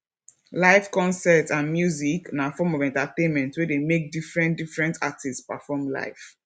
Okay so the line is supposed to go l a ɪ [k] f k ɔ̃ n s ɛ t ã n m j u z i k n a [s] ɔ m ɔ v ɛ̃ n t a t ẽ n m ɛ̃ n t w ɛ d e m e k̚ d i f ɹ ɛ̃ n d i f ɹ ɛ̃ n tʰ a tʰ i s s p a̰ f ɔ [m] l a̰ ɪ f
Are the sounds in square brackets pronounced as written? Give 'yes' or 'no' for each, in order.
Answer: no, no, yes

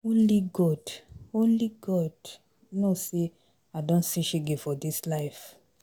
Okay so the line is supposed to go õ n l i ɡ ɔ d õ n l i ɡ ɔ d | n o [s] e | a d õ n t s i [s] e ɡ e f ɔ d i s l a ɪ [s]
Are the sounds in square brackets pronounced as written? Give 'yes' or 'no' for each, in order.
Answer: yes, no, no

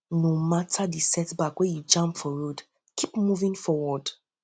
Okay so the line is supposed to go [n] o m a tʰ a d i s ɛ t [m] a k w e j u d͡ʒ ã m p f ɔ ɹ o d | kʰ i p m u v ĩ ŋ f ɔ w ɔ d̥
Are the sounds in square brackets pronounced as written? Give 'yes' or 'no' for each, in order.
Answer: yes, no

